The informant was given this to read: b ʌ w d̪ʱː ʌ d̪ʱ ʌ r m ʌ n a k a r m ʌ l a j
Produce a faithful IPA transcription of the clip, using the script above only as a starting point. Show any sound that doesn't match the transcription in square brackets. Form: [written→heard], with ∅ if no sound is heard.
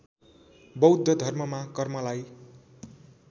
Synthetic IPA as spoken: b ʌ w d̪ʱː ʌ d̪ʱ ʌ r m ʌ [n→m] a k [a→ʌ] r m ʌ l a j